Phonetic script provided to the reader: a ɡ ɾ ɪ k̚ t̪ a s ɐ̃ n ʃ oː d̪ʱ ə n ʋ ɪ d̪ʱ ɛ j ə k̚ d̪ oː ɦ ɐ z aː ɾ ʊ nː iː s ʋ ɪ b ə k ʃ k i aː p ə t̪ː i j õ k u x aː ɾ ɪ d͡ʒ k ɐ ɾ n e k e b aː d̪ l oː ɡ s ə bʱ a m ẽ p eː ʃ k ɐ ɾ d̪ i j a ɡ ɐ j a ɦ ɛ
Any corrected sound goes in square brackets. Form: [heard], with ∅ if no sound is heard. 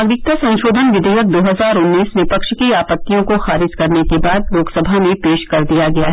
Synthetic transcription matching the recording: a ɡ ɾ ɪ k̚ t̪ a s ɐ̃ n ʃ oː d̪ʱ ə n ʋ ɪ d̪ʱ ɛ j ə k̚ d̪ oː ɦ ɐ z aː ɾ ʊ nː iː s ʋ ɪ [p] ə k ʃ k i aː p ə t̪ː i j õ k [o] x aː ɾ ɪ d͡ʒ k ɐ ɾ n e k e b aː d̪ l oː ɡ s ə bʱ a m ẽ p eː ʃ k ɐ ɾ d̪ i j a ɡ ɐ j a ɦ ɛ